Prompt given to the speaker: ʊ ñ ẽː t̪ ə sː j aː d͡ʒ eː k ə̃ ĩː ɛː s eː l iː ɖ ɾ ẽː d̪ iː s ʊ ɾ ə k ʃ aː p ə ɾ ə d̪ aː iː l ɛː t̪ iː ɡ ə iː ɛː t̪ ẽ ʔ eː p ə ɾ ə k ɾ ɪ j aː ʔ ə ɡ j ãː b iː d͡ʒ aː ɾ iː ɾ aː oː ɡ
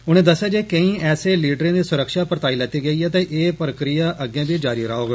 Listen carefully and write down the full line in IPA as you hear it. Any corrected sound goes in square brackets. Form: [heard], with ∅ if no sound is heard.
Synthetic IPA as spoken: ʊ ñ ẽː [d̪] ə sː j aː d͡ʒ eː k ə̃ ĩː ɛː s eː l iː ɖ ɾ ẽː d̪ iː s ʊ ɾ ə k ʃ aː p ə ɾ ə [t̪] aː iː l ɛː t̪ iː ɡ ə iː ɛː t̪ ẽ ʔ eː p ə ɾ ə k ɾ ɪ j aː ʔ ə ɡ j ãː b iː d͡ʒ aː ɾ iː ɾ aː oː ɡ